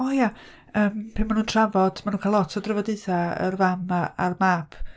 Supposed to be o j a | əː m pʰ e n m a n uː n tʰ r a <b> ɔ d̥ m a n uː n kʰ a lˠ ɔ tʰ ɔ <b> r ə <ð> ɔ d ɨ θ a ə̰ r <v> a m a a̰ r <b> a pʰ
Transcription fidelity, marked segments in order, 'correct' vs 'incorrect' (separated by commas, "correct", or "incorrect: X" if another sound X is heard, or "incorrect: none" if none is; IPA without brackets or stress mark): incorrect: v, incorrect: d, incorrect: v, correct, incorrect: m